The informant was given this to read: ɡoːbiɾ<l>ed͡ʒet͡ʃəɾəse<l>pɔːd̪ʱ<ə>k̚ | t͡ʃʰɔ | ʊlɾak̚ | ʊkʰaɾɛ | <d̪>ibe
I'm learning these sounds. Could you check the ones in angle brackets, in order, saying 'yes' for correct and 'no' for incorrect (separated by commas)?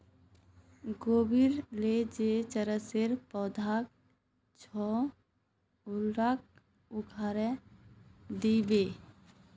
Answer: yes, no, no, yes